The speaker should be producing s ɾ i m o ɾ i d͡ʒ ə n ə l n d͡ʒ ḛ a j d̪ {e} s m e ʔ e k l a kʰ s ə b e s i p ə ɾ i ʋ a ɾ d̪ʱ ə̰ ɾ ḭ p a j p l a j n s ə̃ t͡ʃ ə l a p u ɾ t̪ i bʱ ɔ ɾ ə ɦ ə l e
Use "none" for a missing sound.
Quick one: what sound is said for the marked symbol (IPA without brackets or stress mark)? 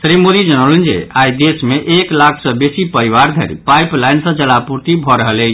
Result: e